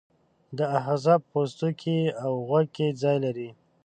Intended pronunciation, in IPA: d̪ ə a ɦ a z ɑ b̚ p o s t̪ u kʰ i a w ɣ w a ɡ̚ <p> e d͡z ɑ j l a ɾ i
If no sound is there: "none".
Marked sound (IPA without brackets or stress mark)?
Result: k